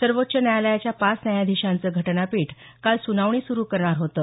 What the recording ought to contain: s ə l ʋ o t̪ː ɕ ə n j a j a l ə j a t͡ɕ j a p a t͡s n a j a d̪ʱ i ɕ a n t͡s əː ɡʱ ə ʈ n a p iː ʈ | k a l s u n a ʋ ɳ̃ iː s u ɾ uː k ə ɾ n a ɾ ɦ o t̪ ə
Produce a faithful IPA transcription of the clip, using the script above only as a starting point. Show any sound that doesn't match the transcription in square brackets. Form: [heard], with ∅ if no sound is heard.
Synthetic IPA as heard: s ə [ɾ] ʋ o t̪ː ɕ ə n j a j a l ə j a t͡ɕ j a p a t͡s n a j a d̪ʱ i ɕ a n t͡s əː ɡʱ ə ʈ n a p iː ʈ | k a l s u n a ʋ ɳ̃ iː s u ɾ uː k ə ɾ [ɳ] a ɾ ɦ o t̪ ə